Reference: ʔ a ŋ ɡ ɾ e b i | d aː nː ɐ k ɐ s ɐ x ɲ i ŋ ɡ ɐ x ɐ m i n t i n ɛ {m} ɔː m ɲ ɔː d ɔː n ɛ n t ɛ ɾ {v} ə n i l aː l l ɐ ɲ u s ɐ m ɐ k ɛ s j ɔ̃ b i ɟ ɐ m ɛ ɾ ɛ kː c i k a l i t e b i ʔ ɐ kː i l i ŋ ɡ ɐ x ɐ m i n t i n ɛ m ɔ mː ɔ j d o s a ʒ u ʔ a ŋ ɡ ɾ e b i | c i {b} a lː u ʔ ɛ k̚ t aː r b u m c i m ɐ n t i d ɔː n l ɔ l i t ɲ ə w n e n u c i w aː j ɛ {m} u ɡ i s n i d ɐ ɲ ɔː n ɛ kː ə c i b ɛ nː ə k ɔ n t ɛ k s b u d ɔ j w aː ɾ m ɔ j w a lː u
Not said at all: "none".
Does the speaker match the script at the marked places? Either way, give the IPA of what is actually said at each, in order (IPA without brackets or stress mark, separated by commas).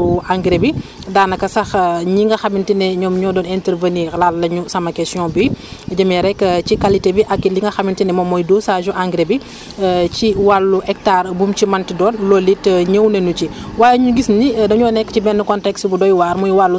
ɲ, v, w, ɲ